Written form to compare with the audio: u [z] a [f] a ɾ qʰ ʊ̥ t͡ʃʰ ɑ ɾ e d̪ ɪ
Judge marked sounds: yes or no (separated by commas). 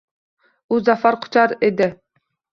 yes, yes